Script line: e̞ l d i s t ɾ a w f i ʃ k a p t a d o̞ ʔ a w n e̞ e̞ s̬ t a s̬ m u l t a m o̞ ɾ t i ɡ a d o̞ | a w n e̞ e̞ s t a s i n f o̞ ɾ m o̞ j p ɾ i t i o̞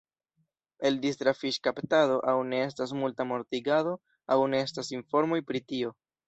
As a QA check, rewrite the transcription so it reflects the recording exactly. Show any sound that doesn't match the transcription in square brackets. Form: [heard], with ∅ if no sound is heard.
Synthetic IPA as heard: e̞ l d i s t ɾ a [∅] f i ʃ k a p t a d o̞ ʔ a w n e̞ e̞ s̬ t a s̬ m u l t a m o̞ ɾ t i ɡ a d o̞ | a w n e̞ e̞ s t a s i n f o̞ ɾ m o̞ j p ɾ i t i o̞